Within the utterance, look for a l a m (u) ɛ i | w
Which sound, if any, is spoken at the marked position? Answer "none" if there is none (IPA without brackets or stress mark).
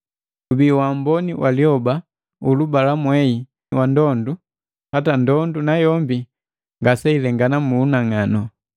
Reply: w